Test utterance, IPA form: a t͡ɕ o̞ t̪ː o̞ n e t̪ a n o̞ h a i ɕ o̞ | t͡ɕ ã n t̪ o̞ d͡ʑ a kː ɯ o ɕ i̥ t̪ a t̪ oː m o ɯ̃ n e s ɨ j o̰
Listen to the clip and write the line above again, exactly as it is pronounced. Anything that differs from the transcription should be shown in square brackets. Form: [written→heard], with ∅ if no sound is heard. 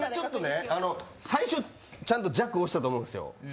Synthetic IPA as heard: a t͡ɕ o̞ t̪ː o̞ n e [t̪→∅] a n o̞ [h→s] a i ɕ o̞ | t͡ɕ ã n t̪ o̞ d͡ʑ a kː ɯ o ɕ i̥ t̪ a t̪ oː m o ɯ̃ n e s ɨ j o̰

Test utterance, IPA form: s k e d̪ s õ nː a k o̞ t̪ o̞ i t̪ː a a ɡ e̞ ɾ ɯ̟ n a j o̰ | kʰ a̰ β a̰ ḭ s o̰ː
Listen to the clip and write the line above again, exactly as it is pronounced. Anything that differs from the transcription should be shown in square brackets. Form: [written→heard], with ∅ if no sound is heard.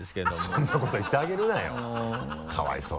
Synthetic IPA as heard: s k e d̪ s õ nː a k o̞ t̪ o̞ i t̪ː [a→e] a ɡ e̞ ɾ ɯ̟ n a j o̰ | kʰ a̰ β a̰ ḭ s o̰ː

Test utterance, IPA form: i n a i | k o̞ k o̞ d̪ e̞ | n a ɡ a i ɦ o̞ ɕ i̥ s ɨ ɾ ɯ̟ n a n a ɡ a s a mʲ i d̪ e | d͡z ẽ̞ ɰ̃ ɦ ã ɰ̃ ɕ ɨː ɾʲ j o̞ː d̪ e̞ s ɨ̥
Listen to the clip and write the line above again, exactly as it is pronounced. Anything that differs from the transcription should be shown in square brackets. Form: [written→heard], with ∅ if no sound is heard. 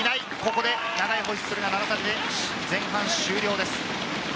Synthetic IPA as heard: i n a i | k o̞ k o̞ d̪ e̞ | n a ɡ a i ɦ o̞ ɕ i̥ s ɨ ɾ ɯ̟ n a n a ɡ a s a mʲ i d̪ e | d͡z ẽ̞ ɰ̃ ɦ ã ɰ̃ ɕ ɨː ɾʲ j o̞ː d̪ e̞ s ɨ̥

